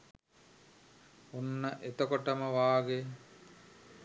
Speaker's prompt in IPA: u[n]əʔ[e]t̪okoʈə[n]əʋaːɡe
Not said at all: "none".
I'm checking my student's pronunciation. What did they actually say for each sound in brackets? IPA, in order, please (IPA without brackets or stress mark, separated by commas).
nː, e, m